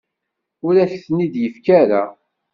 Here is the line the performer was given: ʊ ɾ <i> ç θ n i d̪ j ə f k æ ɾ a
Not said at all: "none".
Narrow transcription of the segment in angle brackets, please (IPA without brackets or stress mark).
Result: æ